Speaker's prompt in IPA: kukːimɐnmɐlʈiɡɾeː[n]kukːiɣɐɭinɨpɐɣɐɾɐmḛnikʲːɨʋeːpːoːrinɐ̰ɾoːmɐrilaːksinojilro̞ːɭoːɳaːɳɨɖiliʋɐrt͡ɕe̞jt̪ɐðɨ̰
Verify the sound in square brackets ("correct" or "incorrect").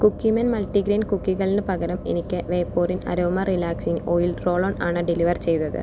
correct